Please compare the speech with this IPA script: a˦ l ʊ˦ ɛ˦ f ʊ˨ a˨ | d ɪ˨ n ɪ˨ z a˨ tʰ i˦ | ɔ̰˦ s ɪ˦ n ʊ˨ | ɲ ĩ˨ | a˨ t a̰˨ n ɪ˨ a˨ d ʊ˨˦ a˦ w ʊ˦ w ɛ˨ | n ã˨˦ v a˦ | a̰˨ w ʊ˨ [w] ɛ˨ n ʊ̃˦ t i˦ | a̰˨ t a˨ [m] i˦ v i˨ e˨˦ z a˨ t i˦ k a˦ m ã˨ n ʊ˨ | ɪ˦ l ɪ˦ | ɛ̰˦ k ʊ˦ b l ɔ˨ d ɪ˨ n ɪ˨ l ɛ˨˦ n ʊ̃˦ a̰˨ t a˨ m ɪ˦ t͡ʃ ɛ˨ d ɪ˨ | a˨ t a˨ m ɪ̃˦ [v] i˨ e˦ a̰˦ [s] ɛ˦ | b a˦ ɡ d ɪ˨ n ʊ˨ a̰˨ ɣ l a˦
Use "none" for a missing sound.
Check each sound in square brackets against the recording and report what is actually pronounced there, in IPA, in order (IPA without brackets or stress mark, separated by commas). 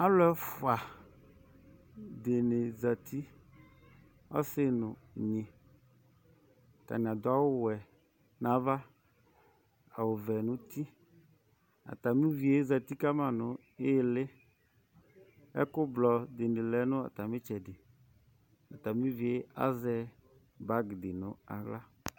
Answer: v, m, v, z